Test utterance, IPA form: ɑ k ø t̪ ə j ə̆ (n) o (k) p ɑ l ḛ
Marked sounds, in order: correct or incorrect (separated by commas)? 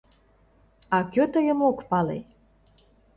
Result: incorrect, correct